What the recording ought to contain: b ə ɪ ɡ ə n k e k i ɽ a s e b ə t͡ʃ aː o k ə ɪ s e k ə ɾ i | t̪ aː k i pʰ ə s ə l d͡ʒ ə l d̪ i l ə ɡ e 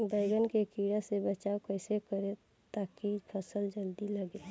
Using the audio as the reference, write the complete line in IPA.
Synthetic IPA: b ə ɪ ɡ ə n k e k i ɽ a s e b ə t͡ʃ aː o k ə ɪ s e k ə ɾ e | t̪ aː k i pʰ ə s ə l d͡ʒ ə l d̪ i l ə ɡ e